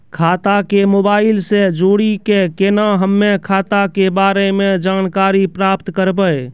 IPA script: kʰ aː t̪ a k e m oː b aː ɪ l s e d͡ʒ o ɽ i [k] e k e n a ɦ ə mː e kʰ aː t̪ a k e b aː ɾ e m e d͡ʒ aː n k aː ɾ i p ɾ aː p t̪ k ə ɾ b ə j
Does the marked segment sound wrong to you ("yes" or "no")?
no